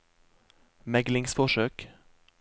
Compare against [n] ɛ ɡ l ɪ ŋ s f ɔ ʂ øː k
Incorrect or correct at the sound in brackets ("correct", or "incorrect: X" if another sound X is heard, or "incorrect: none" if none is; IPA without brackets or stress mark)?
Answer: incorrect: m